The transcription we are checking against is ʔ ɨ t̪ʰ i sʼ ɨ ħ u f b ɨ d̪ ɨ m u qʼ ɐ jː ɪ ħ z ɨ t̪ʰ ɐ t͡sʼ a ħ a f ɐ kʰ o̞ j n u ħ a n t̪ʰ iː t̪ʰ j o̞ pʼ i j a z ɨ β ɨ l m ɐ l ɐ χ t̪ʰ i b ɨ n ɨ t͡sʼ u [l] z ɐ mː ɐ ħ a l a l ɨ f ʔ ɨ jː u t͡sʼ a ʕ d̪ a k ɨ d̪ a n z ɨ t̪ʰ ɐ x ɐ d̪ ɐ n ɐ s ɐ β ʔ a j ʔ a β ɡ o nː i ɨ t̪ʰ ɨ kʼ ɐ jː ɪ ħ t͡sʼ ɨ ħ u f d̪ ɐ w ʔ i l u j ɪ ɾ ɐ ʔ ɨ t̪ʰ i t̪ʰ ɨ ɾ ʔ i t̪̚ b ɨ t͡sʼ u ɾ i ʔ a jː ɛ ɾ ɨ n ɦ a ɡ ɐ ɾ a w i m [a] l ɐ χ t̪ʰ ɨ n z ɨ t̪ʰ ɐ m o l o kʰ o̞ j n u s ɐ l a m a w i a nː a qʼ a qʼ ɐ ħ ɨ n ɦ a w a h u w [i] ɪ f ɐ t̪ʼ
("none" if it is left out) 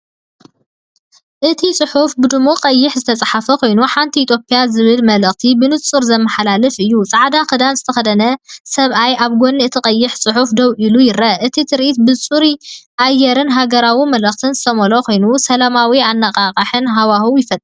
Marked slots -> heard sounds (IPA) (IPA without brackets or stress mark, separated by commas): ɾ, ɐ, j